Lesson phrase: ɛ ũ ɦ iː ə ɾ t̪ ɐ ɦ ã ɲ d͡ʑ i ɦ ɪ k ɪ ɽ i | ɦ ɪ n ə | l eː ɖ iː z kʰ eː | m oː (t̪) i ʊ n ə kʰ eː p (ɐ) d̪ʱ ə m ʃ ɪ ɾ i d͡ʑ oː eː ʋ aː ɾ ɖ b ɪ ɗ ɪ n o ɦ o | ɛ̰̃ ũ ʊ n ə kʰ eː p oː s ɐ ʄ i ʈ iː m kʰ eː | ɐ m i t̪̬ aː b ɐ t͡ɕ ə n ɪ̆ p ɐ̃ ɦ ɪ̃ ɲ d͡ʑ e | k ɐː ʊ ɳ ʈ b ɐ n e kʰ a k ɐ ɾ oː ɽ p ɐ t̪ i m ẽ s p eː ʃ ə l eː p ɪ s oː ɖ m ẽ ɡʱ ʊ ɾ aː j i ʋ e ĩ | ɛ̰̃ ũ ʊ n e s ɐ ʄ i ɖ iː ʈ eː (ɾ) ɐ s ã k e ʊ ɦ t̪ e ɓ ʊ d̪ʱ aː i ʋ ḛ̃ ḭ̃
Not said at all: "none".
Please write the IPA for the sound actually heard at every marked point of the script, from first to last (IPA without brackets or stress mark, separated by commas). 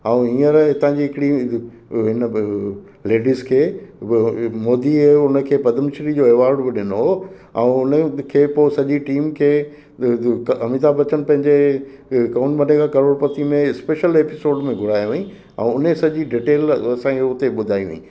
d̪, ɐ, l